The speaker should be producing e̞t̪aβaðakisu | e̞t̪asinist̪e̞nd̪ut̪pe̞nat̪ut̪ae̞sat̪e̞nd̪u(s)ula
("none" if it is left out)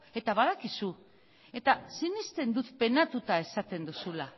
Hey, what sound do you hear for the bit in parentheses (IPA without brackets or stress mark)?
s